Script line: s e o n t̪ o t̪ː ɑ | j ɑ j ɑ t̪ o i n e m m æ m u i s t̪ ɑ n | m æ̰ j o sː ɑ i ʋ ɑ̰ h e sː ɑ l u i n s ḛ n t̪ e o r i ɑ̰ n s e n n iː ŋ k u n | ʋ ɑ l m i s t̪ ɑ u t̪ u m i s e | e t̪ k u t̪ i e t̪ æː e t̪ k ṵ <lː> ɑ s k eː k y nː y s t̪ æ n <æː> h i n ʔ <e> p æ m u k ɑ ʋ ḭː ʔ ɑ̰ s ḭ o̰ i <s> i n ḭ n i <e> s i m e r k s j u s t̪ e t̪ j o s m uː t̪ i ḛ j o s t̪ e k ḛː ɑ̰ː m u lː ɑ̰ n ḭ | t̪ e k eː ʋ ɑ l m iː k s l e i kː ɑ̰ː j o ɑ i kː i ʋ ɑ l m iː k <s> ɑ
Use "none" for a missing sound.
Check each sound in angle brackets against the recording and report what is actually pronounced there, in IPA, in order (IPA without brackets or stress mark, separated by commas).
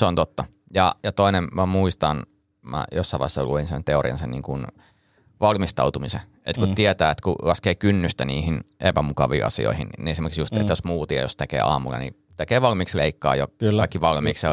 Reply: l, iː, e, h, e, s